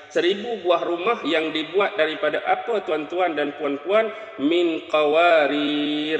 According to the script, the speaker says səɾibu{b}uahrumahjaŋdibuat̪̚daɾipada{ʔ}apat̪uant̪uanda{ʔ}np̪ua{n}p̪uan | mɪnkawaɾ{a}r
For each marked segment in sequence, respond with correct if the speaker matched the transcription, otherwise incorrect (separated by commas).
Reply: correct, correct, incorrect, correct, incorrect